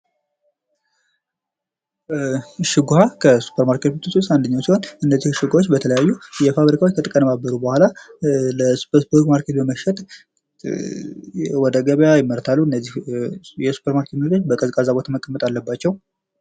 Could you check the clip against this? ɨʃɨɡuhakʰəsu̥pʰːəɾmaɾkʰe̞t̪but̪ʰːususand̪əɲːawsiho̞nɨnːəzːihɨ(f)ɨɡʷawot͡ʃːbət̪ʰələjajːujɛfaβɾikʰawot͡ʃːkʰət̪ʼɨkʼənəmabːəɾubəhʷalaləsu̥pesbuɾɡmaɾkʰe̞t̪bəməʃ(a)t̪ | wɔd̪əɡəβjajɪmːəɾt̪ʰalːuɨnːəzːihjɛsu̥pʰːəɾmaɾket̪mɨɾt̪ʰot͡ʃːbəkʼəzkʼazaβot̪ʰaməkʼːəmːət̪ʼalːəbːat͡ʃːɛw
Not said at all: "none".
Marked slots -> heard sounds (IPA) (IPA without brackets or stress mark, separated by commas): ʃ, ɛ